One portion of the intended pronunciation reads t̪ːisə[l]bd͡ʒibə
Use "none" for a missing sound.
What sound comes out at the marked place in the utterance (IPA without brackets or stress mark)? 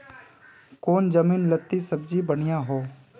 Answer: none